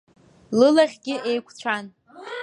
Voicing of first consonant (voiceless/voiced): voiced